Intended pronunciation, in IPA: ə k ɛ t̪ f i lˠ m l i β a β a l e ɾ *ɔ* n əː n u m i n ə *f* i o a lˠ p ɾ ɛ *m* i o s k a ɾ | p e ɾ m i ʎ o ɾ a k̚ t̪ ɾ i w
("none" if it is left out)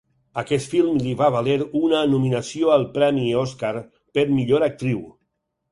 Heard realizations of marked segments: u, s, m

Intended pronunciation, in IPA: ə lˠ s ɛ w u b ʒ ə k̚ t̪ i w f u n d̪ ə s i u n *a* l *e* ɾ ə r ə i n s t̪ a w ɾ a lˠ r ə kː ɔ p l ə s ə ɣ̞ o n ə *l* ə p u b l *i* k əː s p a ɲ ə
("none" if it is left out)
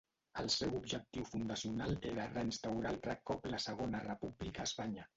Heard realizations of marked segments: a, e, r, i

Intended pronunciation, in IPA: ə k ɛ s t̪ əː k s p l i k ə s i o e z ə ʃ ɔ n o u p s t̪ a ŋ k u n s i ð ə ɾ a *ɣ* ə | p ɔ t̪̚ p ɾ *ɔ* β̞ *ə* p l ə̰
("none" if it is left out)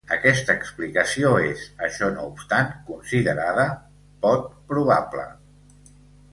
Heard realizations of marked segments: ð, u, a

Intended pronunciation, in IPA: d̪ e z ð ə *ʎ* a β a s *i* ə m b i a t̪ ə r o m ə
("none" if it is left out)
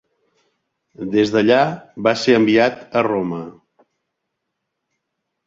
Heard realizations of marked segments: ʎ, e

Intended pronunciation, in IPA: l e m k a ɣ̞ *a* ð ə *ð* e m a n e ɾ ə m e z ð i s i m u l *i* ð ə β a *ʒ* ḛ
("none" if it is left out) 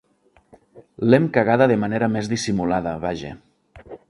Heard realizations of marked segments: a, ð, a, ʒ

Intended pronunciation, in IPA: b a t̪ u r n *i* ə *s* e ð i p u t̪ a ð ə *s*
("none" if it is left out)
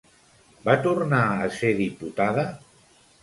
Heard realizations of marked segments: a, s, none

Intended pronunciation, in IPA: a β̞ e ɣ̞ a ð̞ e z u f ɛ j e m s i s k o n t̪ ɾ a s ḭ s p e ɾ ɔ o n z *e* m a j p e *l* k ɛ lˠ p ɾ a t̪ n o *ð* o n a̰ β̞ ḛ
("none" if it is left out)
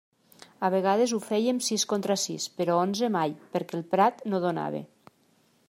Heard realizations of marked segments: e, ɾ, ð

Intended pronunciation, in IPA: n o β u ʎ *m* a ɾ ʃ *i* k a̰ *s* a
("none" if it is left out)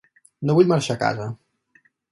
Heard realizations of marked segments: m, a, z

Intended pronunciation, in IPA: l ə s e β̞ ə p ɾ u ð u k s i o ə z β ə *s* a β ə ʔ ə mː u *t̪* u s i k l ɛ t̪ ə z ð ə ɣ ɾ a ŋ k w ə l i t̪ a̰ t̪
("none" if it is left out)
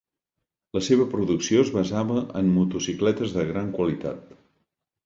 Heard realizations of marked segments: z, t̪

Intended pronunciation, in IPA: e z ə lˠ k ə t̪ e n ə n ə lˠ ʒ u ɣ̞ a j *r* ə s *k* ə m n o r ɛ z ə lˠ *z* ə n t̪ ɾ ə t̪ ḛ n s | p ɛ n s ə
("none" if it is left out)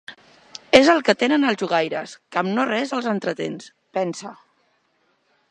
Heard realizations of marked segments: ɾ, k, z

